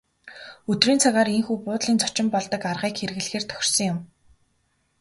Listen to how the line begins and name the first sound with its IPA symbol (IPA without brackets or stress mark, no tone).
ɵ